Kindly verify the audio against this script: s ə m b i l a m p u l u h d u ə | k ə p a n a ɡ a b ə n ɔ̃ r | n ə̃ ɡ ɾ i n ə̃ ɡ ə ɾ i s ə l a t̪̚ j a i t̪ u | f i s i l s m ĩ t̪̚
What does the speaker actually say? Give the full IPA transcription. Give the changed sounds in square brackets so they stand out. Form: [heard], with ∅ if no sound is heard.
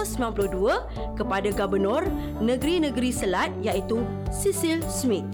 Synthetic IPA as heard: s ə m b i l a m p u l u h d u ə | k ə p a [d] a ɡ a b ə n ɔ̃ r | n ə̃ ɡ ɾ i n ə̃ ɡ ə ɾ i s ə l a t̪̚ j a i t̪ u | [s] i s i l s m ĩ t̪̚